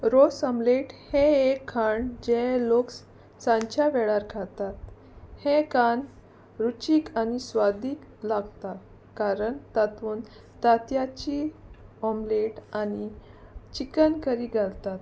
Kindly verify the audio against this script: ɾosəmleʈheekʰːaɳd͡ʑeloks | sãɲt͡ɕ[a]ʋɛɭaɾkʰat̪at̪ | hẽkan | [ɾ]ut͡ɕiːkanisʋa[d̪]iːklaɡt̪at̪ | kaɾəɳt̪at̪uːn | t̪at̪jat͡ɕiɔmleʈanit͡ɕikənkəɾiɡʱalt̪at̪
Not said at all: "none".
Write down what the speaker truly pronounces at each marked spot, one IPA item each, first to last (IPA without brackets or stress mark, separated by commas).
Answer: a, ɾ, d̪